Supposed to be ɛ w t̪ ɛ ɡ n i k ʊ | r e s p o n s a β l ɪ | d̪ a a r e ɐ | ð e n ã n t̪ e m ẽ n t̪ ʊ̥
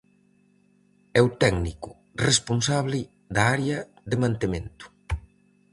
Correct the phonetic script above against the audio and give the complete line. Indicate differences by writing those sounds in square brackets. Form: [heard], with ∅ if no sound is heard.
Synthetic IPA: ɛ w t̪ ɛ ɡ n i k ʊ | r e s p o n s a β l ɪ | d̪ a a [ɾ] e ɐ | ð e [m] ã n t̪ e m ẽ n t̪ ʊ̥